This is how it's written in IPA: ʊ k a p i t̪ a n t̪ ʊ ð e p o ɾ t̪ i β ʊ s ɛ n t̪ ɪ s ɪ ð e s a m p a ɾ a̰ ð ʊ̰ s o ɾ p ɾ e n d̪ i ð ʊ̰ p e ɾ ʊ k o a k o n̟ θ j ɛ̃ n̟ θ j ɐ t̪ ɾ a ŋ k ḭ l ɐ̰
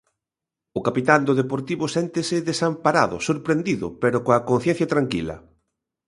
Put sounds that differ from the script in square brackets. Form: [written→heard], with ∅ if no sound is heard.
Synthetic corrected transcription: ʊ k a p i t̪ a n [t̪→d̪] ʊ ð e p o ɾ t̪ i β ʊ s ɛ n t̪ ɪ s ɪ ð e s a m p a ɾ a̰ ð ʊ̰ s o ɾ p ɾ e n d̪ i ð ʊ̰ p e ɾ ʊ k o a k o n̟ θ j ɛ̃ n̟ θ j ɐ t̪ ɾ a ŋ k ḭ l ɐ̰